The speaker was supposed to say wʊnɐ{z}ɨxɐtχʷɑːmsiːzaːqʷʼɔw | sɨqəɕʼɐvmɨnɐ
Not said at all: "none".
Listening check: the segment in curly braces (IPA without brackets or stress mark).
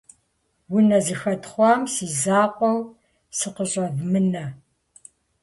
z